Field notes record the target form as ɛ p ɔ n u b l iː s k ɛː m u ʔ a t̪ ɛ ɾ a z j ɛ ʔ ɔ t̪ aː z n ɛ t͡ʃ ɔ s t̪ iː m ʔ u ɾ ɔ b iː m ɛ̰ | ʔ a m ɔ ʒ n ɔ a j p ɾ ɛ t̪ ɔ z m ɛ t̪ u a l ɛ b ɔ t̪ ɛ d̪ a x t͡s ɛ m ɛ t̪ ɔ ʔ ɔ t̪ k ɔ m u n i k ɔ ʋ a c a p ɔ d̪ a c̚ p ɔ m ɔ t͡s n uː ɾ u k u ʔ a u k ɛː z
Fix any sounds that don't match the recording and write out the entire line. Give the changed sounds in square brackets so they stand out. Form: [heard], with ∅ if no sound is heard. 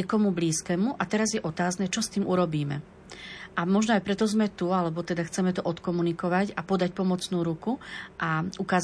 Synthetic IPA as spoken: ɛ [k] ɔ [m] u b l iː s k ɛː m u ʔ a t̪ ɛ ɾ a z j ɛ ʔ ɔ t̪ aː z n ɛ t͡ʃ ɔ s t̪ iː m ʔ u ɾ ɔ b iː m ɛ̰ | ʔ a m ɔ ʒ n ɔ a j p ɾ ɛ t̪ ɔ z m ɛ t̪ u a l ɛ b ɔ t̪ ɛ d̪ a x t͡s ɛ m ɛ t̪ ɔ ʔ ɔ t̪ k ɔ m u n i k ɔ ʋ a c a p ɔ d̪ a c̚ p ɔ m ɔ t͡s n uː ɾ u k u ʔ a u k [aː] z